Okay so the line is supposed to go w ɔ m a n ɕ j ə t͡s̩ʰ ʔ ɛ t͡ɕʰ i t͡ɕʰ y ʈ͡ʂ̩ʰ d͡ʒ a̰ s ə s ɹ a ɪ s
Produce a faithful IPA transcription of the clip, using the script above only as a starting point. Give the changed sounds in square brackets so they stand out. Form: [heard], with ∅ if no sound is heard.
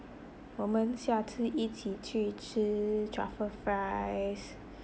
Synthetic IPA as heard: w ɔ m [ə] n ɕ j [a] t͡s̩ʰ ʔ [i] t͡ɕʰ i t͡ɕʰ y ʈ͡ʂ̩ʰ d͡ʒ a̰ [f] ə [f] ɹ a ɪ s